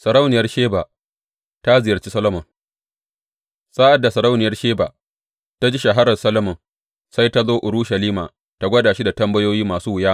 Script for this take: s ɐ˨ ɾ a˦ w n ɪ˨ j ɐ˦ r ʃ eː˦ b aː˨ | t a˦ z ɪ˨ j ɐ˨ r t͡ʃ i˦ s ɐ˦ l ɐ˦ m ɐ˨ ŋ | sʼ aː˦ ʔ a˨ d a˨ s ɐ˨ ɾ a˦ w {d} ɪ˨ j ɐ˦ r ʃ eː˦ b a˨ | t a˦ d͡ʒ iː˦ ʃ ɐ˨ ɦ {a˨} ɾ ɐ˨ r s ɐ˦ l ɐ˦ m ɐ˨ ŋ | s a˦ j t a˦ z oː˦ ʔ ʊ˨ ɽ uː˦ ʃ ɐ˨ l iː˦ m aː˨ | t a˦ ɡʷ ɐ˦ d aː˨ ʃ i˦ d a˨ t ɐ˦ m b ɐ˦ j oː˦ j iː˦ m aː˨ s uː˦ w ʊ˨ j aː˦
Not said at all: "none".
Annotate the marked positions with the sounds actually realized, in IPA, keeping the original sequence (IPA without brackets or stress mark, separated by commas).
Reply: n, a˦